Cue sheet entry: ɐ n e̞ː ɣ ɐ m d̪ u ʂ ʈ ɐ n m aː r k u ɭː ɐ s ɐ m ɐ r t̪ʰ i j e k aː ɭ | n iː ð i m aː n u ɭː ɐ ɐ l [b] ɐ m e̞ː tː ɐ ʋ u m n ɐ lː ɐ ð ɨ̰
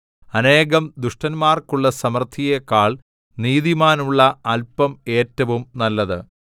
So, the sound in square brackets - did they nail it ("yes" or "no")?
no